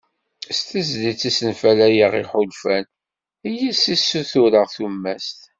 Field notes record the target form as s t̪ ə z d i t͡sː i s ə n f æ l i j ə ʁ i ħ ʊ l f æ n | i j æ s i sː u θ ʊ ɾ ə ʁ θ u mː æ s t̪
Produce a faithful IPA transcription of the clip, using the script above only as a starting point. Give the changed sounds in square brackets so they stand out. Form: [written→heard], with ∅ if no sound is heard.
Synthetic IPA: s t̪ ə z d i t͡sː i s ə n f æ l [i→æ] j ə ʁ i ħ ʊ l f æ n | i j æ s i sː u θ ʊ ɾ ə ʁ θ u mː æ s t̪